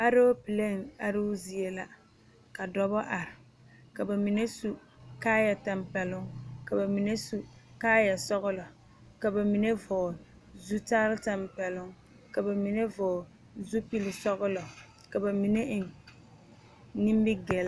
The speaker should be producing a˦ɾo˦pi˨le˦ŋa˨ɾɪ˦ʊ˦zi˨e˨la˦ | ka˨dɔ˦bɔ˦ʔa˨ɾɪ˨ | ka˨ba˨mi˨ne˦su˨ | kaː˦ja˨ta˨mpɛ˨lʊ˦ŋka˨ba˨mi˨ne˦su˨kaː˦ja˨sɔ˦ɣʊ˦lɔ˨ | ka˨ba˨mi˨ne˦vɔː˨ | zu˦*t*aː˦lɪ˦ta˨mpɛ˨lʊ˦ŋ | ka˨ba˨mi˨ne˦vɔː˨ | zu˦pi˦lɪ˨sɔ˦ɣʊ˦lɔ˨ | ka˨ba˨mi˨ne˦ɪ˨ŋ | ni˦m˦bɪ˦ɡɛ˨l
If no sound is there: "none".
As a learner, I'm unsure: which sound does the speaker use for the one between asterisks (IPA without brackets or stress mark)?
t